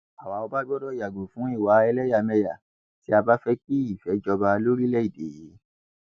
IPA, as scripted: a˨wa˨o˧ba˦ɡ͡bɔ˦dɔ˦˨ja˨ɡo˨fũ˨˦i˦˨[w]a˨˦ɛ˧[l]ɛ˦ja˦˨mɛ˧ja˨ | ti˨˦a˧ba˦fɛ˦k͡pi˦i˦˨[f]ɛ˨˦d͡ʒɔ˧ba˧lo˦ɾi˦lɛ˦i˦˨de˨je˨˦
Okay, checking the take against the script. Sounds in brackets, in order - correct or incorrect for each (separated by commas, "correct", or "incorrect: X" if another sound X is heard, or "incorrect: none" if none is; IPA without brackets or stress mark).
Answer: correct, correct, correct